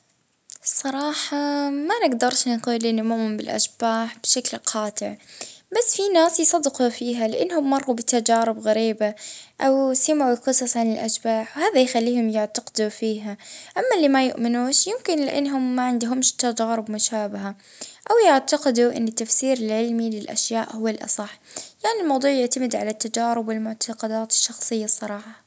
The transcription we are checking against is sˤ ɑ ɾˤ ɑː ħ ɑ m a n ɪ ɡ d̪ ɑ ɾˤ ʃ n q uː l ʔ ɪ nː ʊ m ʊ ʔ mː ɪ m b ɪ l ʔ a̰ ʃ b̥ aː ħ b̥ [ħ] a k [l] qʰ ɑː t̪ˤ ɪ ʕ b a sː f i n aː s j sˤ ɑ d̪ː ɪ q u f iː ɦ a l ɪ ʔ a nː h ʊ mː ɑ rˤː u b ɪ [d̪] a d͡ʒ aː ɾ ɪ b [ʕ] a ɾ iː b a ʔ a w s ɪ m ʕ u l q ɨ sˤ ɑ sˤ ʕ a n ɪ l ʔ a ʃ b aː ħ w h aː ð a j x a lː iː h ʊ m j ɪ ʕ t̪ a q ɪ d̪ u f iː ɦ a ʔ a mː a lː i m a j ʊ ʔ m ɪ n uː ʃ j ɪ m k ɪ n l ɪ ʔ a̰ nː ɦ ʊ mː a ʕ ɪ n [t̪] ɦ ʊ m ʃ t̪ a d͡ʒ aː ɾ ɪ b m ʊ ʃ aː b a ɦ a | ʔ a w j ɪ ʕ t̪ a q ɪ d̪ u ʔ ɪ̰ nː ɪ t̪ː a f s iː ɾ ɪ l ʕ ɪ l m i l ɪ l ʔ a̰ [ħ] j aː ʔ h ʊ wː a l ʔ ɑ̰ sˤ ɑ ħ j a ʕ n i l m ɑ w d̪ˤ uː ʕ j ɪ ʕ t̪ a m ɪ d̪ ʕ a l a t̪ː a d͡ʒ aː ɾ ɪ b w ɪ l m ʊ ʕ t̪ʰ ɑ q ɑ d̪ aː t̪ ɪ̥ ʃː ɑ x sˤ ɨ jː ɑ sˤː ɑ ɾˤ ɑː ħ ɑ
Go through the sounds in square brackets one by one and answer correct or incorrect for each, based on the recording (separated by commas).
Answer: incorrect, correct, incorrect, incorrect, incorrect, incorrect